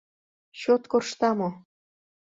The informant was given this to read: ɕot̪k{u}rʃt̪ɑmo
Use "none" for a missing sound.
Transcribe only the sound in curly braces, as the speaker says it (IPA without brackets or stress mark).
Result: o